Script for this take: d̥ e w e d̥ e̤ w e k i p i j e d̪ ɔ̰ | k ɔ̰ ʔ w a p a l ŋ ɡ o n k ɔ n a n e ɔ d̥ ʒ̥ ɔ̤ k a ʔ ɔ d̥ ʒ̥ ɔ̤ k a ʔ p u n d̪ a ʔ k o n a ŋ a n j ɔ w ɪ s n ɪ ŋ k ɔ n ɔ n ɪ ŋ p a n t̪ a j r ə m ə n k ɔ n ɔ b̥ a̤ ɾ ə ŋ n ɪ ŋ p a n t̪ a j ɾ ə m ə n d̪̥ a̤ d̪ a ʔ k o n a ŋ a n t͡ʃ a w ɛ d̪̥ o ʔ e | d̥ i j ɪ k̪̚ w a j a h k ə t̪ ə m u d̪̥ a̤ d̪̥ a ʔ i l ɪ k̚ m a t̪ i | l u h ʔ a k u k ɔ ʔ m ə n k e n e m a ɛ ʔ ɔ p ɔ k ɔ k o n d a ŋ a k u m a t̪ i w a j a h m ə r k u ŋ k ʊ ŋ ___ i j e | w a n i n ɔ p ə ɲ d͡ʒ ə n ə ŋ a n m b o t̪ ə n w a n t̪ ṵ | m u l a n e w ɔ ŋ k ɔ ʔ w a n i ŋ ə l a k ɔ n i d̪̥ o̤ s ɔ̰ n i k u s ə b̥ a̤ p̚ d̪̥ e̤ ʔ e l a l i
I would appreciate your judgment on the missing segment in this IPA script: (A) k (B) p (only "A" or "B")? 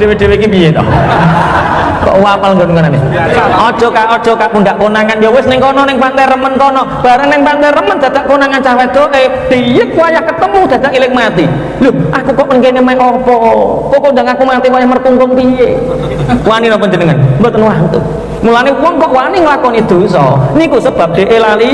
B